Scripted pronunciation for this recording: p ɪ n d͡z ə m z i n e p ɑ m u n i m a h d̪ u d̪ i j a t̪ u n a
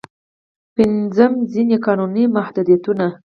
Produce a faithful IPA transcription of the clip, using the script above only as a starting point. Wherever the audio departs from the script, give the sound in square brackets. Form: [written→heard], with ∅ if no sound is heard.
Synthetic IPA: p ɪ n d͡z ə m z i n e [p→k] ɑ [m→n] u n i m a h d̪ u d̪ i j a t̪ u n a